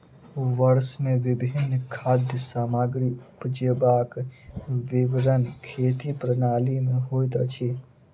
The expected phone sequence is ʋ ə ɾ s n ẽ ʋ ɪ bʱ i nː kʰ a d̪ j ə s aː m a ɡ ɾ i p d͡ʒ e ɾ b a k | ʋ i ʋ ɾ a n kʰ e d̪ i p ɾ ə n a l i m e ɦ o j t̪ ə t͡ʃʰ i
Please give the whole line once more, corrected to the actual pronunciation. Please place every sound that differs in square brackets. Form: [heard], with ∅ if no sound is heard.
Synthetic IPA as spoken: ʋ ə ɾ s [m] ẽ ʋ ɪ bʱ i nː kʰ a d̪ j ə s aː m a ɡ ɾ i p d͡ʒ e [∅] b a k | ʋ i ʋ ɾ [ə] n kʰ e [t̪] i p ɾ ə n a l i m e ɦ o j t̪ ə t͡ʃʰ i